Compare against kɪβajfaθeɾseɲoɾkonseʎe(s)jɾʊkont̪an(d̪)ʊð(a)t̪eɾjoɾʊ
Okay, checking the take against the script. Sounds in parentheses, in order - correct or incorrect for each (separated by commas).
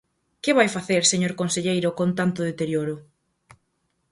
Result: incorrect, incorrect, incorrect